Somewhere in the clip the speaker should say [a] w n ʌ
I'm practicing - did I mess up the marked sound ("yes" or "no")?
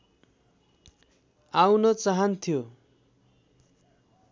no